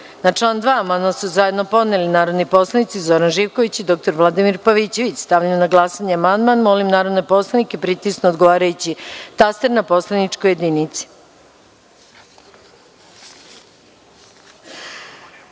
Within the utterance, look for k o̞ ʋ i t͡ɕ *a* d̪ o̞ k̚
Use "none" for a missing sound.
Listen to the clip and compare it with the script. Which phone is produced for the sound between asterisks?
i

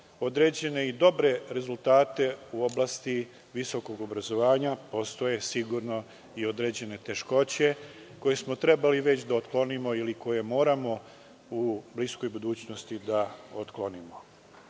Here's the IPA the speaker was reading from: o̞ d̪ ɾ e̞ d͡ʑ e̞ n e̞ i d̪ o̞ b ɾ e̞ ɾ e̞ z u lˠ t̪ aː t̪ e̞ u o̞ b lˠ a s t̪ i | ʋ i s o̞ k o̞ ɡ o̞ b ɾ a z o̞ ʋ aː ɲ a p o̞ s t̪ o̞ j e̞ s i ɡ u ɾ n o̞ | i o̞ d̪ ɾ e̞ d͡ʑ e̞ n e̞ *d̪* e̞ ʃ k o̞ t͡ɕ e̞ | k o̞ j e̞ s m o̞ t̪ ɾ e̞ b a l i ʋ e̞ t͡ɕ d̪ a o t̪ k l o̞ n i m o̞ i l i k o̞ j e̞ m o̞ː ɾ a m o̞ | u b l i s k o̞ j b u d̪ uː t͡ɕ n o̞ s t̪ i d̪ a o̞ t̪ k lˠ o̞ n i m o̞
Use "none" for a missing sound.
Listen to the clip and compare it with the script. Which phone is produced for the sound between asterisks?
t̪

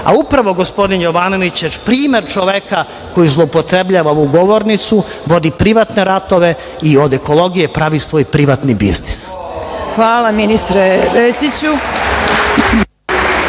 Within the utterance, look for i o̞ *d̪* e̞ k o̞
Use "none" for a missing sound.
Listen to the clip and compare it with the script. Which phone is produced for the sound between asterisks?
d̪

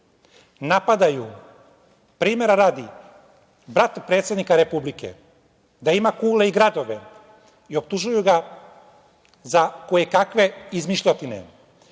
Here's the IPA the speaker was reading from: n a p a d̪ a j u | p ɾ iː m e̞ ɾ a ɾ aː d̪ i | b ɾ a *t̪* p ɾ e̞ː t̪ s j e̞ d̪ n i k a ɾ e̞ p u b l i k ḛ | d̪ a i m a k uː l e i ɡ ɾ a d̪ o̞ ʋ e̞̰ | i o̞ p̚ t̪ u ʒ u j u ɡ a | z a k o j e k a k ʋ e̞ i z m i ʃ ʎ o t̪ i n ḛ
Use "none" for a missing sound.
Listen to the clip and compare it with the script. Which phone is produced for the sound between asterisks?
t̪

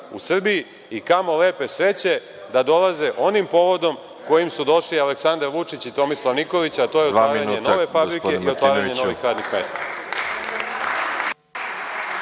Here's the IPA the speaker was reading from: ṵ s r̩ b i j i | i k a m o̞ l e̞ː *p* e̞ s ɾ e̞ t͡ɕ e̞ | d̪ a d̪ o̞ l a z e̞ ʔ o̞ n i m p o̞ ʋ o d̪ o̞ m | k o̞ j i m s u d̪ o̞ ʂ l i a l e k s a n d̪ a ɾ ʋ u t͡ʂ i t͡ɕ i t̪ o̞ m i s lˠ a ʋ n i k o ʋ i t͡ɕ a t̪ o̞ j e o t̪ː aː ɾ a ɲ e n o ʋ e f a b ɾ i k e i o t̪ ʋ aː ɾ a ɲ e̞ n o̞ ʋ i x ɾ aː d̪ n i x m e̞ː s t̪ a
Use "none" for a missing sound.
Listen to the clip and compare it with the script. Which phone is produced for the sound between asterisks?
p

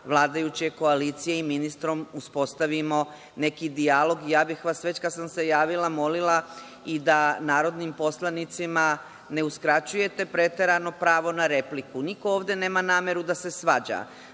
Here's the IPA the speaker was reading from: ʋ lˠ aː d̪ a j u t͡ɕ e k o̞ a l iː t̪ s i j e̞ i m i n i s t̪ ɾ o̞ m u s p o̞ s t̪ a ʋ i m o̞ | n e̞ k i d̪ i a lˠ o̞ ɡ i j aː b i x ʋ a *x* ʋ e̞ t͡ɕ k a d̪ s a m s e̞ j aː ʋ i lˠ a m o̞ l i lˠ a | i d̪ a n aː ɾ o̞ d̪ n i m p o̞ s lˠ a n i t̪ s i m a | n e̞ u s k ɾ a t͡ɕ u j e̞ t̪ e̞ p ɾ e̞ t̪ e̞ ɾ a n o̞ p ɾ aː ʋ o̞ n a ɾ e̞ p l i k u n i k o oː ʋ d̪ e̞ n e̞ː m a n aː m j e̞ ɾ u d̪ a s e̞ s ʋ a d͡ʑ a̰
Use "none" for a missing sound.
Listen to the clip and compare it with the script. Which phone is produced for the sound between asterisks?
s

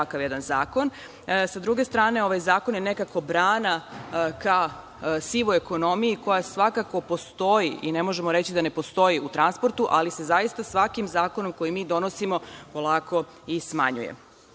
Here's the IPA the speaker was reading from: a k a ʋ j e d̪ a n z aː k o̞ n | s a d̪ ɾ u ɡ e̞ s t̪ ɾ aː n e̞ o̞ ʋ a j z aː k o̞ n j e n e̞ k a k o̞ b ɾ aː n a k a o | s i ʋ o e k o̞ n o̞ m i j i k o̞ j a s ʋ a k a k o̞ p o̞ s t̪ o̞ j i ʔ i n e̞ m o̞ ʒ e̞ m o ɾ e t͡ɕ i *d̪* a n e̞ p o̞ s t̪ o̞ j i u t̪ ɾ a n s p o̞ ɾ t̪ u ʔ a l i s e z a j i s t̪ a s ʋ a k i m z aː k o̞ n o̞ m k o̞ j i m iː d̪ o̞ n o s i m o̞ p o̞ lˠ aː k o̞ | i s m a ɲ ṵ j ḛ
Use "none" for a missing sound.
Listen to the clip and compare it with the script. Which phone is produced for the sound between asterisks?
d̪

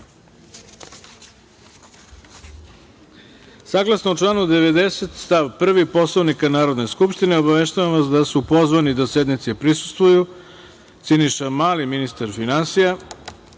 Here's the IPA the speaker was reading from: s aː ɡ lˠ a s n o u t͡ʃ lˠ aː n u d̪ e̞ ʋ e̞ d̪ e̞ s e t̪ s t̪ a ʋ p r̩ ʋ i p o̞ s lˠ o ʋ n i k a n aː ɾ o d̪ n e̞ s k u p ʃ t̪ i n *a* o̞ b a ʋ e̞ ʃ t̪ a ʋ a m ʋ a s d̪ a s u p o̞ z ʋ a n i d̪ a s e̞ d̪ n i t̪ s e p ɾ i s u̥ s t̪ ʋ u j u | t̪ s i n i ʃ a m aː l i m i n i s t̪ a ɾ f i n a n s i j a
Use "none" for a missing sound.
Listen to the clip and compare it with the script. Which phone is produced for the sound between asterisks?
e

